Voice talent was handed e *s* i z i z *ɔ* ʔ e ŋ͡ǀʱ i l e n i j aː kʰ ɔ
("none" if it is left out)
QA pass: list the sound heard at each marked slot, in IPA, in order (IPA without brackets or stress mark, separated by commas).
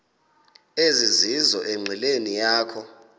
z, ɔ